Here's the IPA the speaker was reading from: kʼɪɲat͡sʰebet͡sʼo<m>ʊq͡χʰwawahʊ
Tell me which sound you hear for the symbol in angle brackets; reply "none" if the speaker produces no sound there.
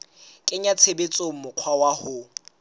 m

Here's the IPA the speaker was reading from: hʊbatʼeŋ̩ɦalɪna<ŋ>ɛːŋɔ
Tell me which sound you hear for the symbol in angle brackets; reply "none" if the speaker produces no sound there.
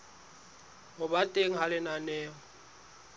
n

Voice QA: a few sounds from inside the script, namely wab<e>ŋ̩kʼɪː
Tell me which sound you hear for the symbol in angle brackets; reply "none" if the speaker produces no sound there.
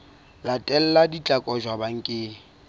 a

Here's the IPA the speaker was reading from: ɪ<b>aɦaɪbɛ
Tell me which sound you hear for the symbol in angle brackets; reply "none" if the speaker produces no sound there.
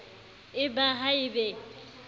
b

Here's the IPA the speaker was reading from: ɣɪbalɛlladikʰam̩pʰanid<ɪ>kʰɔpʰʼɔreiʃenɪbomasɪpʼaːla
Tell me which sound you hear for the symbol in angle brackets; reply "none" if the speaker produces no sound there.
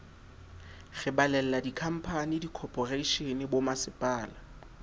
i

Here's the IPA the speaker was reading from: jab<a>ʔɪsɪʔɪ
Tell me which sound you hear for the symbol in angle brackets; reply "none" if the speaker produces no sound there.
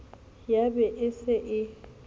ɛ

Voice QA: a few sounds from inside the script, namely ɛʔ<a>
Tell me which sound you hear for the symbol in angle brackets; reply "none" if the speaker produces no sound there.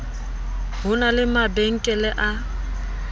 a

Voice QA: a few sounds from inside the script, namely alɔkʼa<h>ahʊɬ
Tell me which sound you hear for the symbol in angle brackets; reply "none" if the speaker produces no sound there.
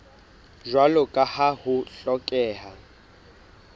h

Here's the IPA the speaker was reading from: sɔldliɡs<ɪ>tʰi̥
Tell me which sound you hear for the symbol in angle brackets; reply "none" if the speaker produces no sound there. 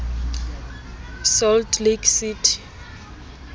i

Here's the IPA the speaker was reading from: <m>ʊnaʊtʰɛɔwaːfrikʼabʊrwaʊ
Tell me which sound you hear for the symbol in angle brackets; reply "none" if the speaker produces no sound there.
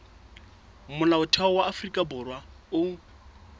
m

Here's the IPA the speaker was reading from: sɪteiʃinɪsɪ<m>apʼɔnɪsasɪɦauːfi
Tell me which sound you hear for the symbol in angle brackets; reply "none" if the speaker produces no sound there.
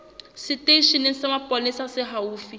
m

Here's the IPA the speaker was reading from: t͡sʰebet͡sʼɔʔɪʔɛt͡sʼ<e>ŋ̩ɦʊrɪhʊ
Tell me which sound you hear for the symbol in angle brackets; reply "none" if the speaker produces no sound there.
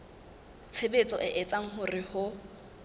a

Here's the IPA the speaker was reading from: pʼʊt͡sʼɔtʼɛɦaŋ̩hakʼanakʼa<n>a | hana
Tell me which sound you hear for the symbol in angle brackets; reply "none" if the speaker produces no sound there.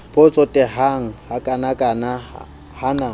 n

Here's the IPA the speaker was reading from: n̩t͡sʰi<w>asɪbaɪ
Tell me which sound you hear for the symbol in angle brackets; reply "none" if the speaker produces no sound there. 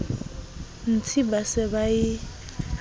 b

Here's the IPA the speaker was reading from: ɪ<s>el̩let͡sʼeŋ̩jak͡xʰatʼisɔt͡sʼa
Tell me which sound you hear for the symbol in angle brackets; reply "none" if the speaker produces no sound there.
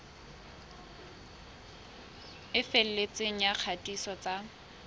f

